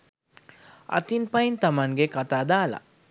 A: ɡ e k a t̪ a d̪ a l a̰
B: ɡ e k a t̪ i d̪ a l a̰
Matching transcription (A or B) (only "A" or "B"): A